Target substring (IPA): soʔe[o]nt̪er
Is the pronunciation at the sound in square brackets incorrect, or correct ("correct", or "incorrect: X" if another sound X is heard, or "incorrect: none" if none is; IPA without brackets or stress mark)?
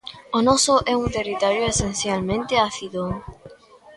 incorrect: u